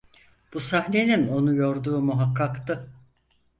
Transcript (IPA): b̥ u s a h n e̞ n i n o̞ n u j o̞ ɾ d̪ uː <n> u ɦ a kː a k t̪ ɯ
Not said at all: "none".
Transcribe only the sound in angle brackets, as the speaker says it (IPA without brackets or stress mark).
m